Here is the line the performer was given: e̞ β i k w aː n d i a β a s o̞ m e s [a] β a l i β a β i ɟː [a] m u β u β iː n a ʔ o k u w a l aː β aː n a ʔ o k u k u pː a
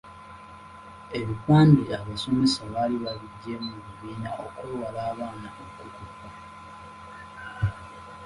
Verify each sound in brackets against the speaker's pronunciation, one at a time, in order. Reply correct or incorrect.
correct, incorrect: e

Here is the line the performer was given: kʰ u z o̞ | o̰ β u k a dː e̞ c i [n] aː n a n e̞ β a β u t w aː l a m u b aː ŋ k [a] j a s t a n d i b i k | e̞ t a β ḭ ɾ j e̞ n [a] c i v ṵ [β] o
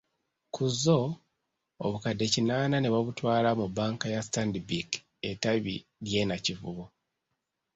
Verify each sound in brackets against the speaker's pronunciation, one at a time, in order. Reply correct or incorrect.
correct, correct, correct, correct

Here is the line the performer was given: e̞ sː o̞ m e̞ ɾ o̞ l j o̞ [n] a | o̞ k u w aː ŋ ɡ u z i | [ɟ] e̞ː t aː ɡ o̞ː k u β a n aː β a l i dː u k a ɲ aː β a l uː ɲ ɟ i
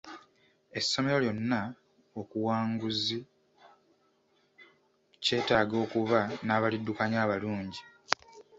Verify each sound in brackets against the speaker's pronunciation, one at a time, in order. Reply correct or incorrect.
incorrect: nː, incorrect: c

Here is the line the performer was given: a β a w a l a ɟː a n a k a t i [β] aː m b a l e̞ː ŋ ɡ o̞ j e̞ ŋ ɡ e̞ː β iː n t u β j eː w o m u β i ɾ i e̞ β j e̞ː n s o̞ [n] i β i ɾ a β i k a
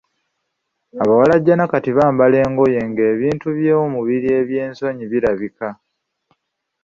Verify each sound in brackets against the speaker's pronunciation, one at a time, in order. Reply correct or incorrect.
correct, incorrect: ɲ

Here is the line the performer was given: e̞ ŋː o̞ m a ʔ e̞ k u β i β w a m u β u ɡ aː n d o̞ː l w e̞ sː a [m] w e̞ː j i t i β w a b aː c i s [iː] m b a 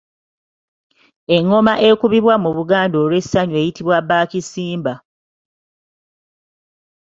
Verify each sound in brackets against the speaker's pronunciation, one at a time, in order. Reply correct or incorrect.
incorrect: ɲ, correct

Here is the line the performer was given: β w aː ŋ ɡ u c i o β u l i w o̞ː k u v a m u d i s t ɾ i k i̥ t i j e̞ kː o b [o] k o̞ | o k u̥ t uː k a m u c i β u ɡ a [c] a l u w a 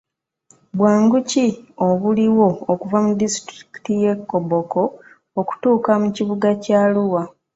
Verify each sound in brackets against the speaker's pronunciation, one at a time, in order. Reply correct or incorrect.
correct, correct

